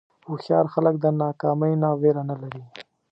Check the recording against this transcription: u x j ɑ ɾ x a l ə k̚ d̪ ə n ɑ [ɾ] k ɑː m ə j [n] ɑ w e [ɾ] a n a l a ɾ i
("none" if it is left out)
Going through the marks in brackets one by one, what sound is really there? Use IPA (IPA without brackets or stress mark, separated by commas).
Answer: none, n, ɾ